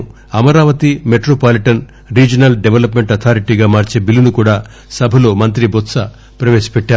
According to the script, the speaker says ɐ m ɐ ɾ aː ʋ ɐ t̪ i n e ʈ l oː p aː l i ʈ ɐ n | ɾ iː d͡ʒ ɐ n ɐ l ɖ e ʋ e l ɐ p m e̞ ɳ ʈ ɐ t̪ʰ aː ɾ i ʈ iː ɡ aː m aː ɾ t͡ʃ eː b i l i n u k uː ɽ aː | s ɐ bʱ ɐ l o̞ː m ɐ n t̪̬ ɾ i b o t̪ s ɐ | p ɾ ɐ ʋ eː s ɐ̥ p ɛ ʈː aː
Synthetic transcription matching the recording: ɐ m ɐ ɾ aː ʋ ɐ t̪ i m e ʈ ɾ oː p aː l i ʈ ɐ n | ɾ iː d͡ʒ ɐ n ɐ l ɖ e ʋ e l ɐ p m e̞ ɳ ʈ ɐ t̪ʰ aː ɾ i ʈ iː ɡ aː m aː ɾ t͡ʃ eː b i l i n u k uː ɽ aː | s ɐ bʱ ɐ l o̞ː m ɐ n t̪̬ ɾ i b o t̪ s ɐ | p ɾ ɐ ʋ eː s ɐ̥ p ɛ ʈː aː